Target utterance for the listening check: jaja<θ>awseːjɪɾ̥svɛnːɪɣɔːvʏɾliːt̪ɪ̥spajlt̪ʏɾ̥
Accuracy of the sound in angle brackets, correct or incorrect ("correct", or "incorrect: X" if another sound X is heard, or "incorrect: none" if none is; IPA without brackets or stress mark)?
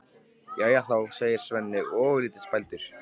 correct